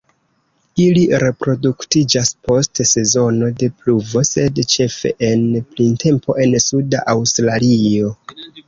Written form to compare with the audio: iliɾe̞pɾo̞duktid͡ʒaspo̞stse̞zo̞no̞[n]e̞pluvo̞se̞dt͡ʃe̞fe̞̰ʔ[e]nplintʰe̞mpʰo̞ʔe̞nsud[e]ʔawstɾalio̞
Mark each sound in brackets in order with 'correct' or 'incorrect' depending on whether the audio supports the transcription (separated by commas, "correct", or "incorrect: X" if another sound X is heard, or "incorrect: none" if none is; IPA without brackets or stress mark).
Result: incorrect: d, correct, incorrect: a